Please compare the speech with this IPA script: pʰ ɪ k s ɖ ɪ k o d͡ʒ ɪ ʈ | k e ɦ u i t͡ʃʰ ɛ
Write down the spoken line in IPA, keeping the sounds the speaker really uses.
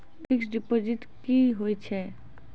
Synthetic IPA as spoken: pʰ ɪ k s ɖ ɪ p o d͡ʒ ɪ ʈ | k i ɦ o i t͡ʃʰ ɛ